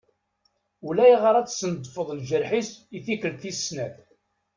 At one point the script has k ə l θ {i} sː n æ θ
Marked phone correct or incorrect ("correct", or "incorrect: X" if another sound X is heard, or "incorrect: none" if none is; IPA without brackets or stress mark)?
correct